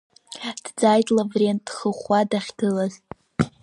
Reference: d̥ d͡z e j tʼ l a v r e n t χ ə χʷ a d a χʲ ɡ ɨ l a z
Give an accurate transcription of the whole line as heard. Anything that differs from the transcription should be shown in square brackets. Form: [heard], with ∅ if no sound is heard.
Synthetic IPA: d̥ d͡z [a] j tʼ l a v r e n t χ ə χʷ a d a χʲ ɡ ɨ l a z